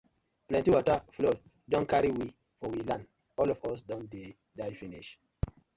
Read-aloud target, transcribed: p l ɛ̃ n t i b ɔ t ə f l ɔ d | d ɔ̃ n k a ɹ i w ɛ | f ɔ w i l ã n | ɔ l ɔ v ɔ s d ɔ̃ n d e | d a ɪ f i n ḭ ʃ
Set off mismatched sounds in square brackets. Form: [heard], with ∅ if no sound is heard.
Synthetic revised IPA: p l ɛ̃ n t i [w] ɔ t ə f l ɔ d | d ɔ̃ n k a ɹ i w [i] | f ɔ w i l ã n | ɔ l ɔ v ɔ s d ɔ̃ n d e | d a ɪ f i n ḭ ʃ